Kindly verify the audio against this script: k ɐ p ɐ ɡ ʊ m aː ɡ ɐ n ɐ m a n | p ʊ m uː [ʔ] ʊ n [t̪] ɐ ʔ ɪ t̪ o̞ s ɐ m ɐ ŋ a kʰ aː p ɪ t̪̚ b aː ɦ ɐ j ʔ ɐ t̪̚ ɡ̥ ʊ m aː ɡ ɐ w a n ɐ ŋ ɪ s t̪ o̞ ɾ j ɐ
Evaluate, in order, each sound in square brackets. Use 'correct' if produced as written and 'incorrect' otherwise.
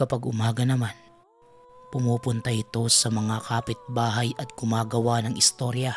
incorrect: p, correct

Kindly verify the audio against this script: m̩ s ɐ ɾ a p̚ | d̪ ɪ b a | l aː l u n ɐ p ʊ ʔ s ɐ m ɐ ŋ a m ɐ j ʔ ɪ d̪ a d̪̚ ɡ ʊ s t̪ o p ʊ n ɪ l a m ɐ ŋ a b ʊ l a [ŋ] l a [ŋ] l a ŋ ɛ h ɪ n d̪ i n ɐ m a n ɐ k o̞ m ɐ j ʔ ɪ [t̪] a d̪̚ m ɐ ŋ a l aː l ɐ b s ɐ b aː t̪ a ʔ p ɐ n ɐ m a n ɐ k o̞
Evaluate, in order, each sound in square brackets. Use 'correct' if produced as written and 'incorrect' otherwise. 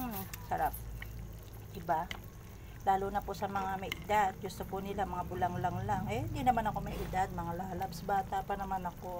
correct, correct, incorrect: d̪

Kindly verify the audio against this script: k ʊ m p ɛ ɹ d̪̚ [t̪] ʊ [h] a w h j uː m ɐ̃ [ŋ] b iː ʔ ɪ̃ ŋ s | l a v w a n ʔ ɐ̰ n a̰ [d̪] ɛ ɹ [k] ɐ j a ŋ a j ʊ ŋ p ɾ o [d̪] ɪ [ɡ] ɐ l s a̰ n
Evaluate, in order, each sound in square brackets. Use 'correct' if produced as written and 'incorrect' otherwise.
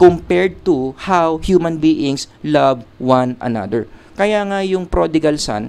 correct, correct, incorrect: n, correct, correct, correct, correct

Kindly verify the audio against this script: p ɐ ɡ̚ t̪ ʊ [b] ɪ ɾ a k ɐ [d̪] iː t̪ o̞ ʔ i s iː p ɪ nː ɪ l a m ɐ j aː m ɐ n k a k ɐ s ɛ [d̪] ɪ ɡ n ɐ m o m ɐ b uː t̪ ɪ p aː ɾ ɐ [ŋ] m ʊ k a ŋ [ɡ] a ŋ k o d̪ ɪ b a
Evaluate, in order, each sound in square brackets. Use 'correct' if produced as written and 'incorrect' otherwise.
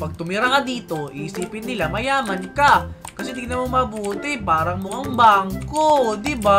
incorrect: m, correct, correct, correct, incorrect: b

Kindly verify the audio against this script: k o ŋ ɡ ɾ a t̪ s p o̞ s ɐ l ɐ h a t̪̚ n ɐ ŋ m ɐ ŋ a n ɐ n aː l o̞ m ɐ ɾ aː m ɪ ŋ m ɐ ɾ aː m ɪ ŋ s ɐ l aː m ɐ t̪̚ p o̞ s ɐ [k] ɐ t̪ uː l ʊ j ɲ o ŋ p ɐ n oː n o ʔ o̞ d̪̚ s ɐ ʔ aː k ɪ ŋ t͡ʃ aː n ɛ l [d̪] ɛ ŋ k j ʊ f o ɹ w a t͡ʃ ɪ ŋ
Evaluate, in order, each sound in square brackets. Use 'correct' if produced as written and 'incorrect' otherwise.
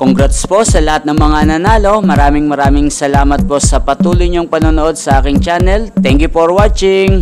incorrect: p, incorrect: t̪

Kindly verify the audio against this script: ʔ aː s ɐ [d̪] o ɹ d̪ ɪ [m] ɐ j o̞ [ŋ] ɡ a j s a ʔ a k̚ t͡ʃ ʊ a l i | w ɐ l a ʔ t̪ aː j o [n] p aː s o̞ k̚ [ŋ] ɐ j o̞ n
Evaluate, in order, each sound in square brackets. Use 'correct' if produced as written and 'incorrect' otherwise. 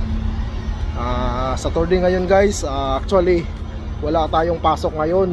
incorrect: t̪, incorrect: ŋ, incorrect: n, incorrect: ŋ, correct

